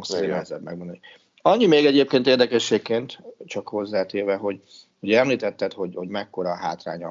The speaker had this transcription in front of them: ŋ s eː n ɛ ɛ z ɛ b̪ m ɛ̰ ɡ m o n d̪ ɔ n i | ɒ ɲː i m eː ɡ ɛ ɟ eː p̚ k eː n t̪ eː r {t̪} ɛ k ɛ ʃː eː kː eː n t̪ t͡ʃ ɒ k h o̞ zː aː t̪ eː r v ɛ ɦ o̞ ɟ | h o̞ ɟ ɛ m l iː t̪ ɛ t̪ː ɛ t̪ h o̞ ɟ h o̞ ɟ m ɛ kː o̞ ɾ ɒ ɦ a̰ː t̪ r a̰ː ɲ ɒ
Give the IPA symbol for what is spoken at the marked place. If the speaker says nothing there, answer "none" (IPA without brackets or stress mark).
d̪